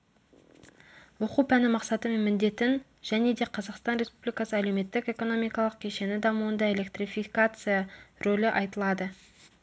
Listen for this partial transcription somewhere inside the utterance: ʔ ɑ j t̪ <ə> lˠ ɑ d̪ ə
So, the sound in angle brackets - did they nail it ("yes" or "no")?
yes